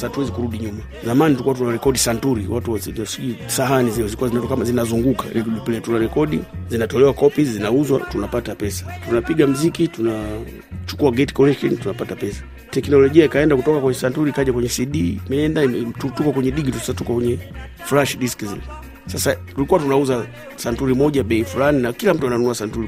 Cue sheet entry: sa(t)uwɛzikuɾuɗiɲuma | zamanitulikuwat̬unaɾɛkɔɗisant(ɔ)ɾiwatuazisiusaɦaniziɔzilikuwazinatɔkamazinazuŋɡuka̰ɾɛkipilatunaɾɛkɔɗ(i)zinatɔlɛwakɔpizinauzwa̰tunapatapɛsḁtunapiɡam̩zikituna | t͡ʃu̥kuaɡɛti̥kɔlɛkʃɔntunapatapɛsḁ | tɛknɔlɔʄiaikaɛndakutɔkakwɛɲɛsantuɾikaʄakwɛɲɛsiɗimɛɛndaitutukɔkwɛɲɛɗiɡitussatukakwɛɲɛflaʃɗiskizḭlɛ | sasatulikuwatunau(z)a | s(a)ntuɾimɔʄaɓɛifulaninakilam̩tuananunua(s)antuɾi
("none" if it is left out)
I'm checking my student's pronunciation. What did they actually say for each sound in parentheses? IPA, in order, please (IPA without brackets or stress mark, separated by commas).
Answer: t, u, i, z, a, s